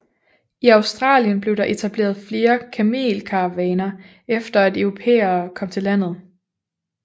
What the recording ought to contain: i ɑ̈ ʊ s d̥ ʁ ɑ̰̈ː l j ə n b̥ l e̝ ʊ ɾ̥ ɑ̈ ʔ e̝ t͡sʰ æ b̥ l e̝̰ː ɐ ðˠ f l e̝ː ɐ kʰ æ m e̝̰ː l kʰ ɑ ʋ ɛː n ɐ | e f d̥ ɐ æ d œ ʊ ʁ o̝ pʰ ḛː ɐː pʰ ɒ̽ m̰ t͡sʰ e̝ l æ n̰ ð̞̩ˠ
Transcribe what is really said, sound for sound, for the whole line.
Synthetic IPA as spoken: i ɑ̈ ʊ s d̥ ʁ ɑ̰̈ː l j ə n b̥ l e̝ ʊ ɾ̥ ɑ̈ ʔ e̝ t͡sʰ æ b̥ l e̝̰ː ɐ ðˠ f l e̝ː ɐ kʰ æ m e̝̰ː l kʰ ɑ ʋ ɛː n ɐ | e f d̥ ɐ æ d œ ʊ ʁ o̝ pʰ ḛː ɐː kʰ ɒ̽ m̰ t͡sʰ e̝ l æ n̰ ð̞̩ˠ